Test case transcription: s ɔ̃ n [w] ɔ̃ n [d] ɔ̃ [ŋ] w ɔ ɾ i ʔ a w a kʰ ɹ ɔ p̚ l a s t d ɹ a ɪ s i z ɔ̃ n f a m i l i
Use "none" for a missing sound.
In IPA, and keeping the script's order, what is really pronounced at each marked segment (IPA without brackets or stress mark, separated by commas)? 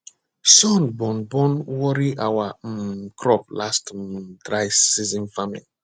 b, b, n